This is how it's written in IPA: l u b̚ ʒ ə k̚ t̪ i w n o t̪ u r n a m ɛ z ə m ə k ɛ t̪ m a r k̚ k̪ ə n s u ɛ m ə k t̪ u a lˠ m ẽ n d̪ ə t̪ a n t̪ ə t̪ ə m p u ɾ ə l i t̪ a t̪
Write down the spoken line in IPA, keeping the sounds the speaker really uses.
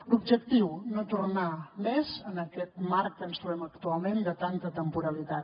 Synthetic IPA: l u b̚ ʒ ə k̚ t̪ i w n o t̪ u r n a m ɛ z ə n ə k ɛ t̪ m a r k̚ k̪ ə n s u ɛ m ə k t̪ u a lˠ m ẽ n d̪ ə t̪ a n t̪ ə t̪ ə m p u ɾ ə l i t̪ a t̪